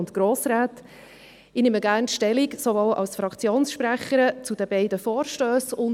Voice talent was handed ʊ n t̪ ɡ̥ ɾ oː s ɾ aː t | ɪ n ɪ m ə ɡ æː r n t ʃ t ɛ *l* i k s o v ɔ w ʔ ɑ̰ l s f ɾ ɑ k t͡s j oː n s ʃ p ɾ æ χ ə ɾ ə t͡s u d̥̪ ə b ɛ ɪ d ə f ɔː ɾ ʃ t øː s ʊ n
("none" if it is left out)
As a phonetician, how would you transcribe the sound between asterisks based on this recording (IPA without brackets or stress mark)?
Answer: l